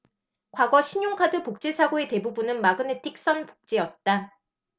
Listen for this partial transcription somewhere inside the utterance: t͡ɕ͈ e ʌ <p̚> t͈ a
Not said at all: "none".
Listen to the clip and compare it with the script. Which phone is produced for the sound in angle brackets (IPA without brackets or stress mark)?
t̚